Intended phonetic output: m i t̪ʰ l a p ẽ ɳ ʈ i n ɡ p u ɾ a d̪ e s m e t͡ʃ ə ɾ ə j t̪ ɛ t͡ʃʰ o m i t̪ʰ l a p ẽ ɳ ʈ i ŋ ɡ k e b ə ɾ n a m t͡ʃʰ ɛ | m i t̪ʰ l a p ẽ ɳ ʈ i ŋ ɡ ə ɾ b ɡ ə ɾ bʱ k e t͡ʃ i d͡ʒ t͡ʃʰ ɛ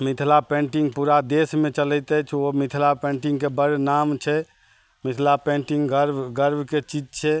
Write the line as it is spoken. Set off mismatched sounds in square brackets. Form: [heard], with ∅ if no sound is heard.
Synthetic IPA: m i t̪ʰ l a p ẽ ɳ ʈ i [ŋ] ɡ p u ɾ a d̪ e s m e t͡ʃ ə [l] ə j t̪ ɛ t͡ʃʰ o m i t̪ʰ l a p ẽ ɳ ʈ i ŋ ɡ k e b ə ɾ n a m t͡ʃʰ ɛ | m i t̪ʰ l a p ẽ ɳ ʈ i ŋ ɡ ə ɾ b ɡ ə ɾ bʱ k e t͡ʃ i d͡ʒ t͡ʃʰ ɛ